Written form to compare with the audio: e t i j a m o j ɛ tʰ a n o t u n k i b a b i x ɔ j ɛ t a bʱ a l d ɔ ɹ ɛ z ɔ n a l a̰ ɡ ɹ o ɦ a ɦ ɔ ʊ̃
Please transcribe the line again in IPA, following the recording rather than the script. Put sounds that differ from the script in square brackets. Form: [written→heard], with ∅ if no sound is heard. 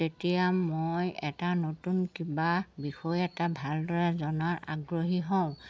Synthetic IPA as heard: e t i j a m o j ɛ [tʰ→t] a n o t u n k i b a b i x ɔ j ɛ t a bʱ a l d ɔ ɹ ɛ z ɔ n a [l→ɹ] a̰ ɡ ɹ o ɦ [a→i] ɦ ɔ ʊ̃